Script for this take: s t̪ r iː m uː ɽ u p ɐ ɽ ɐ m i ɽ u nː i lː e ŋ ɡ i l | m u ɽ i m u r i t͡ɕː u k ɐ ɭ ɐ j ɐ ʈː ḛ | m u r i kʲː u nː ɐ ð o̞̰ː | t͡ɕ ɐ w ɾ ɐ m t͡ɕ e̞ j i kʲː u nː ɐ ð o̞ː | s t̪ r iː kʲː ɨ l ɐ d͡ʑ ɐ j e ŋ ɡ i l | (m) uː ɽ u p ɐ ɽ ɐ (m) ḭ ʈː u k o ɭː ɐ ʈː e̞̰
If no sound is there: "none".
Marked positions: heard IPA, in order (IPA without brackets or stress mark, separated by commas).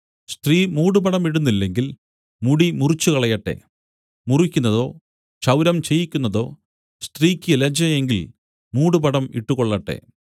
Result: m, m